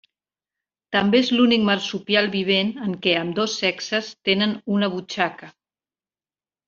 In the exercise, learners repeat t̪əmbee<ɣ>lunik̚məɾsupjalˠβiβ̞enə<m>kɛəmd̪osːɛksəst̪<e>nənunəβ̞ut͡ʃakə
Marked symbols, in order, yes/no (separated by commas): no, no, yes